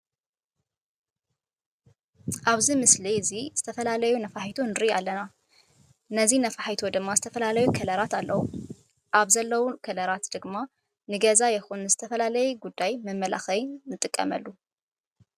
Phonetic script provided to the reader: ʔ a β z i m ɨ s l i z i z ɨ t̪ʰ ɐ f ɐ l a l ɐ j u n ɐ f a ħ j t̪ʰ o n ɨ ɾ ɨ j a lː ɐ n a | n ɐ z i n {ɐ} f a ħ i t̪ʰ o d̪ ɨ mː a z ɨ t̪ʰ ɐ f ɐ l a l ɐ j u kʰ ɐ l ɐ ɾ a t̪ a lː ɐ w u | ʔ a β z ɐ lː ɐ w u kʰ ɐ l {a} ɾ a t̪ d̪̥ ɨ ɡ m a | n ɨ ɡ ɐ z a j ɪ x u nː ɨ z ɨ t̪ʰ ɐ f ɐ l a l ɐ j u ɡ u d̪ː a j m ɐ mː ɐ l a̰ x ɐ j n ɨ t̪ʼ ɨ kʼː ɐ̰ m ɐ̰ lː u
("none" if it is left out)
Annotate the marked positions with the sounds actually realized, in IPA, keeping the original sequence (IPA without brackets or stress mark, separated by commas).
ɐ, ɐ